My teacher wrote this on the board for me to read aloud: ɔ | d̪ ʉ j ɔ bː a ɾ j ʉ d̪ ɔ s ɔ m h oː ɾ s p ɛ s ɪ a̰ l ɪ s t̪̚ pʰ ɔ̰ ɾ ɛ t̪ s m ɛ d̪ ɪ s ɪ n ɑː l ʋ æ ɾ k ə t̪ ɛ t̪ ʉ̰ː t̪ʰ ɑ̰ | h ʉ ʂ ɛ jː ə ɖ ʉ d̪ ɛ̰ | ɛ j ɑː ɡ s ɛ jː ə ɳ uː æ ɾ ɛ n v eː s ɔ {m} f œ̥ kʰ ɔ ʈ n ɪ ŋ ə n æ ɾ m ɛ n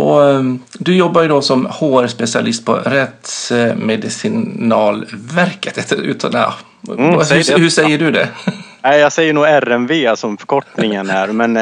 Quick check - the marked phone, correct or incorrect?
correct